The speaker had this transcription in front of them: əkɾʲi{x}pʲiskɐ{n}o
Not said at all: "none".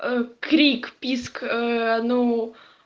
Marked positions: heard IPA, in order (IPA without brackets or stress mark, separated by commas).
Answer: k, n